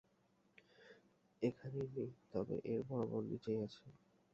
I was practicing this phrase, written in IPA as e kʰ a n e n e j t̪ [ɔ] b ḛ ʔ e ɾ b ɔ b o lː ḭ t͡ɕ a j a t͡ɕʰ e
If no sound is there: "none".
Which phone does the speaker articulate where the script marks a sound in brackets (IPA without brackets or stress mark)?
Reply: ɔ